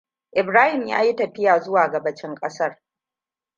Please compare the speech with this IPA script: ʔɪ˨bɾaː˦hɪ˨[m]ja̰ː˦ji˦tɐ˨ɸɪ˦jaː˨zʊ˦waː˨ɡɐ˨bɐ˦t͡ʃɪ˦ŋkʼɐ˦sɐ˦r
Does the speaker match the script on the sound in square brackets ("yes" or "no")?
yes